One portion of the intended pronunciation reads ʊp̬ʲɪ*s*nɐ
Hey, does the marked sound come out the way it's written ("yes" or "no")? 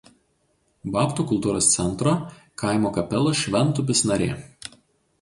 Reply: yes